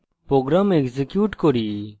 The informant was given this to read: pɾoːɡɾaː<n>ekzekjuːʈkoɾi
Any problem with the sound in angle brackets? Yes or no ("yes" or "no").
yes